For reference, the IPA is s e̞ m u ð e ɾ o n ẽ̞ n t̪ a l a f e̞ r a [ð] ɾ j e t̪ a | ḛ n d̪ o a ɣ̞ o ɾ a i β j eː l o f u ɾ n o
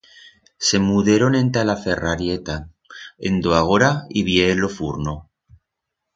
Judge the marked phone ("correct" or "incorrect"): incorrect